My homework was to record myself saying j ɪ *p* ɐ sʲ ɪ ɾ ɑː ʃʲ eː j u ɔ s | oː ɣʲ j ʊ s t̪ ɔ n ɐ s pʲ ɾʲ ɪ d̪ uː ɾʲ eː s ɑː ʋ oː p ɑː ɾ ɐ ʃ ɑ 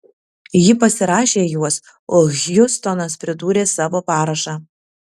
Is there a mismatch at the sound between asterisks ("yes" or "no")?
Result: no